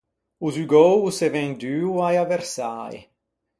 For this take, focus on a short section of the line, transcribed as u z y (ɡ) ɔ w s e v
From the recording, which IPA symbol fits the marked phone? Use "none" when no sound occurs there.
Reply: ɡ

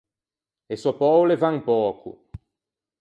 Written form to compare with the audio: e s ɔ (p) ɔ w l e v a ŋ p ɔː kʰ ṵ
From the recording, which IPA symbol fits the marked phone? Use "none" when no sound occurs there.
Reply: p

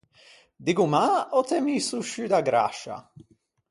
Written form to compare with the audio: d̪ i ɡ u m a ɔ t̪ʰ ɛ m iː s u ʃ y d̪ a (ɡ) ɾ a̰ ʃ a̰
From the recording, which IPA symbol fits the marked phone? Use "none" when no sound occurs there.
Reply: ɡ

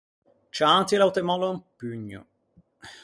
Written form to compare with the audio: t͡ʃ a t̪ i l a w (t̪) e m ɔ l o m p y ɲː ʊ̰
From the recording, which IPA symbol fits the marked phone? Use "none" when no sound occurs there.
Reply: t̪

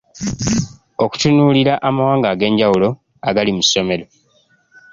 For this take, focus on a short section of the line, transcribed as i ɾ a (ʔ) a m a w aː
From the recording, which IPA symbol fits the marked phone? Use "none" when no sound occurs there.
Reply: ʔ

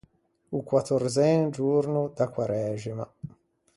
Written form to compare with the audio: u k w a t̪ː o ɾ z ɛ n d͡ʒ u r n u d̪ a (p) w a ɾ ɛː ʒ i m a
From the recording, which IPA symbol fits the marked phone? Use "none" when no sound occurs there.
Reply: k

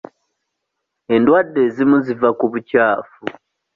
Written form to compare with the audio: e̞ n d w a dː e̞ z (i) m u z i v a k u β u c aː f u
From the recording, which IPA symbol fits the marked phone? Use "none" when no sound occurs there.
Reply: i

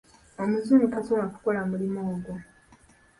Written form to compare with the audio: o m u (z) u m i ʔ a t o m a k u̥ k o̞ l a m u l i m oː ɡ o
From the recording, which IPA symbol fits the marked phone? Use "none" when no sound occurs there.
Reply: z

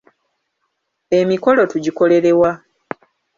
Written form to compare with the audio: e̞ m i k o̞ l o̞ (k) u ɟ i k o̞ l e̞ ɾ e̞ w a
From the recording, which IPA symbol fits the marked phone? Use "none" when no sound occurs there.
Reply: t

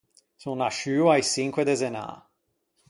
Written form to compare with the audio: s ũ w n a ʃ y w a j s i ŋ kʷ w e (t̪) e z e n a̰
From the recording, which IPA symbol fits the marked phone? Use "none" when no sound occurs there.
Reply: d̪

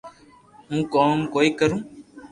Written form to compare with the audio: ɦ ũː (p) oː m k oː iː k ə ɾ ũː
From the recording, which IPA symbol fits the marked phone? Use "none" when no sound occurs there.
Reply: k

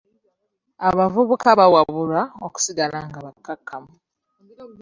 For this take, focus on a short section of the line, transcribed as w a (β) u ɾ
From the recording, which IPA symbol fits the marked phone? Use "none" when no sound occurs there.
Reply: β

